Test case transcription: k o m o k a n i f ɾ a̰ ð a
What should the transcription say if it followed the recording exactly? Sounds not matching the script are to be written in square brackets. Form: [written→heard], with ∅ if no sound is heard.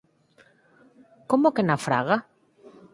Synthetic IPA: k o m o k [a→e] n [i→a] f ɾ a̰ [ð→ɣ] a